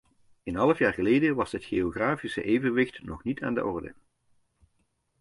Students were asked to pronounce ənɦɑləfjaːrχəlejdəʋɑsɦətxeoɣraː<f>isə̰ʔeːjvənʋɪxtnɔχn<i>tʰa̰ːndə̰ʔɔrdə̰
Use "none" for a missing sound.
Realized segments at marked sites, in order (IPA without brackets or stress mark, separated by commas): f, i